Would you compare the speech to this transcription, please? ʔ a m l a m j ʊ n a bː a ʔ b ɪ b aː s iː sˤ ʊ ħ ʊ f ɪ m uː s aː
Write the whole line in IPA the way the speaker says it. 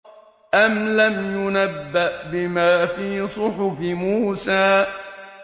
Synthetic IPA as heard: ʔ a m l a m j ʊ n a bː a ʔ b ɪ m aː f iː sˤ ʊ ħ ʊ f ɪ m uː s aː